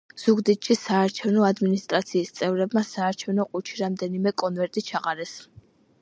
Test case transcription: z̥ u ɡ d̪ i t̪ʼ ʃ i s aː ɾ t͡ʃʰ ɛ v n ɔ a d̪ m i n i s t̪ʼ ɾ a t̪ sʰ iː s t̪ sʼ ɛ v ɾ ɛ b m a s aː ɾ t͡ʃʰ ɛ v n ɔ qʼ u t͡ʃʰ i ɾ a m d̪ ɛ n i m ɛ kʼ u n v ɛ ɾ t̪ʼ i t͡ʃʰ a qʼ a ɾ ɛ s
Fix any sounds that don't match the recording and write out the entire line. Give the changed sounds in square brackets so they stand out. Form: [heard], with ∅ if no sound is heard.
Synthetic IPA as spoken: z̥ u ɡ d̪ i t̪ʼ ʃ i s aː ɾ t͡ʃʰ ɛ v n ɔ a d̪ m i n i s t̪ʼ ɾ a t̪ sʰ iː s t̪ sʼ ɛ v ɾ ɛ b m a s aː ɾ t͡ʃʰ ɛ v n ɔ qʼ u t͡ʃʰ i ɾ a m d̪ ɛ n i m ɛ kʼ [ɔ] n v ɛ ɾ t̪ʼ i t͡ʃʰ a qʼ a ɾ ɛ s